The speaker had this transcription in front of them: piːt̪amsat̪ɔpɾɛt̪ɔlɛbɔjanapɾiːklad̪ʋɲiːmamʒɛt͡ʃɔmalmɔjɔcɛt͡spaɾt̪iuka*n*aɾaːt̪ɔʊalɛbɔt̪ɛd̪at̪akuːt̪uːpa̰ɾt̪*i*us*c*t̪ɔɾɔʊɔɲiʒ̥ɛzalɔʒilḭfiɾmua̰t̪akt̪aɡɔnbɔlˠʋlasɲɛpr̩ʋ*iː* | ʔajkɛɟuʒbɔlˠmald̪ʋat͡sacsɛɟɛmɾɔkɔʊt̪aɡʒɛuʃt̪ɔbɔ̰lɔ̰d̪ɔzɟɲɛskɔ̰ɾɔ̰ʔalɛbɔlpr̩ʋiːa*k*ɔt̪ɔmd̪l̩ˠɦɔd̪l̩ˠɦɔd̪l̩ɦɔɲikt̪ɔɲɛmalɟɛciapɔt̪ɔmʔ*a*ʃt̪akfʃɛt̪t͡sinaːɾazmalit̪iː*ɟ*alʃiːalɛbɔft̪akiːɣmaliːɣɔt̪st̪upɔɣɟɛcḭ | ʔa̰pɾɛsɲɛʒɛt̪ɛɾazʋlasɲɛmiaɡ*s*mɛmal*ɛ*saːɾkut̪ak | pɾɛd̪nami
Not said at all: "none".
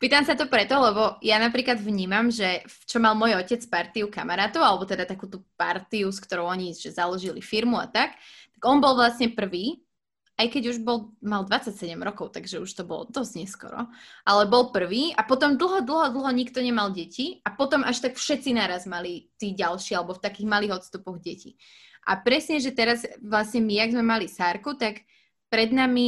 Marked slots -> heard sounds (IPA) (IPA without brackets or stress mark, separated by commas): m, i, k, iː, p, a, ɟ, z, i